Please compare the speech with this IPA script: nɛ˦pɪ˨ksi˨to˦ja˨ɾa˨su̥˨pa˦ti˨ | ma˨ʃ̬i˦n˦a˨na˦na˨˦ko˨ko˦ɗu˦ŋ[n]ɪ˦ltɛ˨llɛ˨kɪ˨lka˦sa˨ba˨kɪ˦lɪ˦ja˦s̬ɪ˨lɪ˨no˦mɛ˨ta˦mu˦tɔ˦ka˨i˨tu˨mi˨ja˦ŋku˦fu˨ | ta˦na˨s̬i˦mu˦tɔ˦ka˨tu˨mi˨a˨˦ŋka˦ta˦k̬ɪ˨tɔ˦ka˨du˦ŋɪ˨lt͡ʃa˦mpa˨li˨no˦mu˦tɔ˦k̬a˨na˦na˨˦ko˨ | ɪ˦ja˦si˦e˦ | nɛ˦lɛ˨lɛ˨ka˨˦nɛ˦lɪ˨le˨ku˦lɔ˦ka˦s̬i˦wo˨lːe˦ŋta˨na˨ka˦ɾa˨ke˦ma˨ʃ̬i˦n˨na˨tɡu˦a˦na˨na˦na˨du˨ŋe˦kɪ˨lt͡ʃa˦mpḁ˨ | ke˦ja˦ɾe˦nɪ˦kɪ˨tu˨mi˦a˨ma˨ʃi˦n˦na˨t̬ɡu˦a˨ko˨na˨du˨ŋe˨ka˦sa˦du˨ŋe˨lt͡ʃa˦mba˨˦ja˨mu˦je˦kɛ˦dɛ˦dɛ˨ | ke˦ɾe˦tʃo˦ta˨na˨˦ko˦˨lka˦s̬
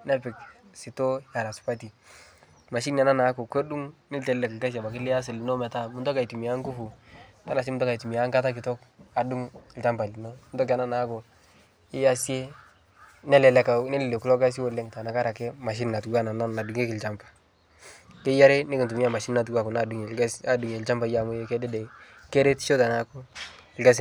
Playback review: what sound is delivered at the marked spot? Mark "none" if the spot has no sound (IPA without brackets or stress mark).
n